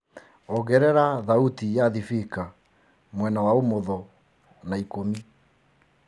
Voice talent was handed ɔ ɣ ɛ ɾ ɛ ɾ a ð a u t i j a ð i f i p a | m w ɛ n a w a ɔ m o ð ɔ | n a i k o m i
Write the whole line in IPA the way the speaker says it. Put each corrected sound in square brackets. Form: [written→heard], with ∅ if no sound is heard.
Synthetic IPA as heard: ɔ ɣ ɛ ɾ ɛ ɾ a ð a u t i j a ð i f i [p→k] a | m w ɛ n a w a [ɔ→o] m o ð ɔ | n a i k o m i